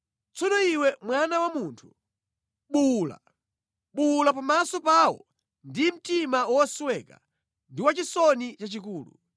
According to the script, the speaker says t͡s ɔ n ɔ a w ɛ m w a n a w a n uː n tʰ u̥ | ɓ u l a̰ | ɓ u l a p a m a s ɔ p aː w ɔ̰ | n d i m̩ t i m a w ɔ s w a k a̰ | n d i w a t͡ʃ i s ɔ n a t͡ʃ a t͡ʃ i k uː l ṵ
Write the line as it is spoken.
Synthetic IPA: t͡s ɔ n ɔ i w ɛ m w a n a w a m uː n tʰ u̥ | ɓ u l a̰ | ɓ u l a p a m a s ɔ p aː w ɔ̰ | n d i m̩ t i m a w ɔ s w ɛ k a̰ | n d i w a t͡ʃ i s ɔ n i t͡ʃ a t͡ʃ i k uː l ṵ

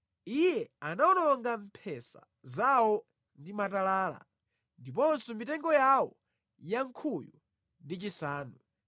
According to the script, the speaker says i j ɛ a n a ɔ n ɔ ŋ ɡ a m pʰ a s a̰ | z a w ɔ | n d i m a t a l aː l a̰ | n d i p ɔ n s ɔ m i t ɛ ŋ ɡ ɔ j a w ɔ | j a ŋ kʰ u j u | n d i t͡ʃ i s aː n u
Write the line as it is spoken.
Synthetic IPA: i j ɛ a n a ɔ n ɔ ŋ ɡ a m pʰ ɛ s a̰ | z a w ɔ | n d i m a t a l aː l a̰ | n d i p ɔ n s ɔ m i t ɛ ŋ ɡ ɔ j a w ɔ | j a ŋ kʰ u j u | n d i t͡ʃ i s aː n u

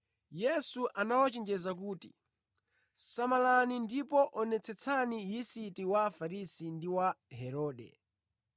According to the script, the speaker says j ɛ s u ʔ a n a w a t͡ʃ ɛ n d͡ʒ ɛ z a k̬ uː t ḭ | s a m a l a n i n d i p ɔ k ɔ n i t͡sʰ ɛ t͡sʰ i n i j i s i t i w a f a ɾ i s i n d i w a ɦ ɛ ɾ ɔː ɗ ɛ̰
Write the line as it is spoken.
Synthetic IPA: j ɛ s u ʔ a n a w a t͡ʃ ɛ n d͡ʒ ɛ z a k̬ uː t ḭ | s a m a l a n i n d i p ɔ ʔ ɔ n ɛ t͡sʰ ɛ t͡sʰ a n i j i s i t i w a f a ɾ i s i n d i w a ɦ ɛ ɾ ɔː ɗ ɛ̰

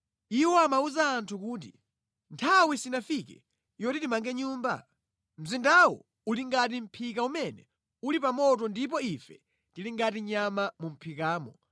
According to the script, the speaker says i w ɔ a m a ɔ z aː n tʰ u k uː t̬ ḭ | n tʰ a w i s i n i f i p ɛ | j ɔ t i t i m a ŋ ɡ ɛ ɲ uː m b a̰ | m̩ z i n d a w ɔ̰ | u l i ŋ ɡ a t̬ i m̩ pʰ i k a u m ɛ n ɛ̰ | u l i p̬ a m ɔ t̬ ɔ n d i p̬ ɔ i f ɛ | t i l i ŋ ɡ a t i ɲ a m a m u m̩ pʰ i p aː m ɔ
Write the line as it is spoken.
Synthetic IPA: i w ɔ a m a u z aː n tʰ u k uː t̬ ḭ | n tʰ a w i s i n a f i k ɛ | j ɔ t i t i m a ŋ ɡ ɛ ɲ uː m b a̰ | m̩ z i n d a w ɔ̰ | u l i ŋ ɡ a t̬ i m̩ pʰ i k a u m ɛ n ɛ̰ | u l i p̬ a m ɔ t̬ ɔ n d i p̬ ɔ i f ɛ | t i l i ŋ ɡ a t i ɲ a m a m u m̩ pʰ i k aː m ɔ

